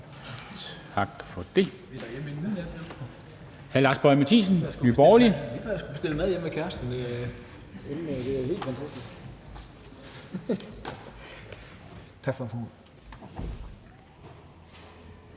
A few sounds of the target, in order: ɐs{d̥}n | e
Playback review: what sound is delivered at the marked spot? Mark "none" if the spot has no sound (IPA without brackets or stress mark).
d̥